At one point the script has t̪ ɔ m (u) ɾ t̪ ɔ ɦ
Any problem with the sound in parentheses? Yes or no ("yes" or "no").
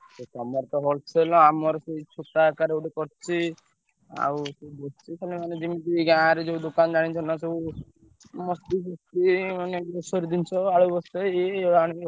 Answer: yes